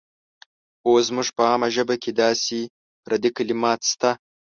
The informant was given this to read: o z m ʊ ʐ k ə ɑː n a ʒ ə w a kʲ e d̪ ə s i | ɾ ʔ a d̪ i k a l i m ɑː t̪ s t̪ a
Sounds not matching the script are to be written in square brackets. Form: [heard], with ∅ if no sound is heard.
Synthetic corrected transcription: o z m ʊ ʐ [p] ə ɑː [m] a ʒ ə [b] a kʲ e d̪ [ɑ] s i | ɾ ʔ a d̪ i k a l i m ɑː t̪ s t̪ a